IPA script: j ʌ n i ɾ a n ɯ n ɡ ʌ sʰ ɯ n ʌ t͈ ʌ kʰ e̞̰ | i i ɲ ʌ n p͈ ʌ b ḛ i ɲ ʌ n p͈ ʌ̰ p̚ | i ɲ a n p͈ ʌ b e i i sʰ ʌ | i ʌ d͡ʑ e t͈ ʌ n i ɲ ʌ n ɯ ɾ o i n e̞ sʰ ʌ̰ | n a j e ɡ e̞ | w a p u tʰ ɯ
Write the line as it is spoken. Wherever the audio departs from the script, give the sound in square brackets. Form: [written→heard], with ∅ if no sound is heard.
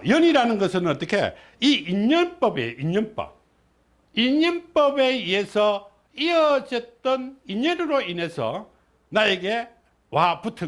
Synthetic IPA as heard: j ʌ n i ɾ a n ɯ n ɡ ʌ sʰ ɯ n ʌ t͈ ʌ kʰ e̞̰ | i i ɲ ʌ n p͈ ʌ b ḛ i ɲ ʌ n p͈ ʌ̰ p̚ | i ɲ [a→ʌ] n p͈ ʌ b e i [i→e] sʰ ʌ | i ʌ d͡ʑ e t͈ ʌ n i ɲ ʌ n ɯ ɾ o i n e̞ sʰ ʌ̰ | n a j e ɡ e̞ | w a p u tʰ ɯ